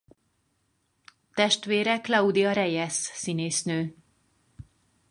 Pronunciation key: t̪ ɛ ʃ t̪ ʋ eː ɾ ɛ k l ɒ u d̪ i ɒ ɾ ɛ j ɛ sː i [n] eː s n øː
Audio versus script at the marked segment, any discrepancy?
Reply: no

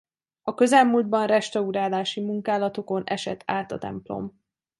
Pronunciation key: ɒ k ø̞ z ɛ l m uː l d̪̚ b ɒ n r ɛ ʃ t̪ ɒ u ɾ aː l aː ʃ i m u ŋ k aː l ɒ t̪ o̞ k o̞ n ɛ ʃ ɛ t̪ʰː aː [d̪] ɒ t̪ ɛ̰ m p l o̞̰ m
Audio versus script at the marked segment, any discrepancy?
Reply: yes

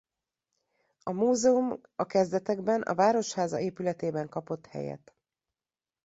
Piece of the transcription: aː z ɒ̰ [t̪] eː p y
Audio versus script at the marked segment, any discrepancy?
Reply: yes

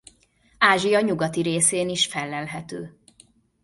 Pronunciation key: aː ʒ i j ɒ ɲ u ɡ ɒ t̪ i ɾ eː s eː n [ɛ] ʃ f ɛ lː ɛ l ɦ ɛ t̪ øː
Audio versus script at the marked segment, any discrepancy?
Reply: yes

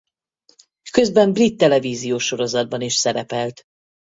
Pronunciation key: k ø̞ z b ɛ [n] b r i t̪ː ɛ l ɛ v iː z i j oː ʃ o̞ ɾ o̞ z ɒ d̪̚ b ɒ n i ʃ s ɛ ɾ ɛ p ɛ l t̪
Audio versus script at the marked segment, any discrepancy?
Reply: yes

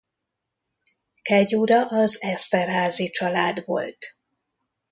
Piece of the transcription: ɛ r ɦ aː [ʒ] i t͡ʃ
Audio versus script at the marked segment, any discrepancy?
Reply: yes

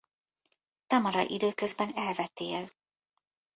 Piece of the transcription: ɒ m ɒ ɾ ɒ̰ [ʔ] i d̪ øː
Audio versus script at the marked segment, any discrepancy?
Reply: no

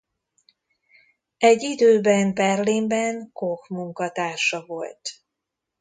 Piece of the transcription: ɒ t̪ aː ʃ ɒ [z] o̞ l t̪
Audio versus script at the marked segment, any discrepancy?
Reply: yes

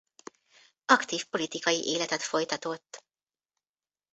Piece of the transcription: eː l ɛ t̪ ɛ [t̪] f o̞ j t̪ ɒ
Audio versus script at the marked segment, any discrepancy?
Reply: no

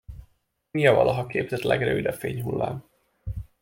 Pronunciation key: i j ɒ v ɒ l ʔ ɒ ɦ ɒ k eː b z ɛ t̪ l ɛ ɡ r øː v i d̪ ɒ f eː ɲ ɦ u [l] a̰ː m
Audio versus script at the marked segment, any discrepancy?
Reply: yes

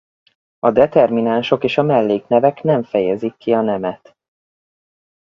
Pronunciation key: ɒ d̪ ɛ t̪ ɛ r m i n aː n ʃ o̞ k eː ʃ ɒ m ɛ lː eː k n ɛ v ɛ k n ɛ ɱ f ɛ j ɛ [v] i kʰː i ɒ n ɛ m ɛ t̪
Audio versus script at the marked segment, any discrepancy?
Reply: yes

